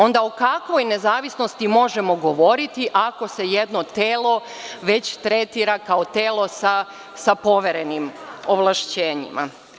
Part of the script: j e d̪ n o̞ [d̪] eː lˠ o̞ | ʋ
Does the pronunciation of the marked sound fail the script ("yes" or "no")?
yes